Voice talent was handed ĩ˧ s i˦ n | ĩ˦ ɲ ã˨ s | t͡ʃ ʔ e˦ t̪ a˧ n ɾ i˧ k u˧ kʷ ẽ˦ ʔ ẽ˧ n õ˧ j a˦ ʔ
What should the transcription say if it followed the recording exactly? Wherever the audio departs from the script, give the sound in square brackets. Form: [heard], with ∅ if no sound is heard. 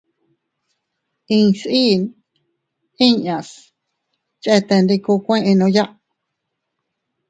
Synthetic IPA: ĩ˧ s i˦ n | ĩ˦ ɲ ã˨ s | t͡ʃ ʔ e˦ t̪ [e˧] n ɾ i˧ k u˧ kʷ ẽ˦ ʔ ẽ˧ n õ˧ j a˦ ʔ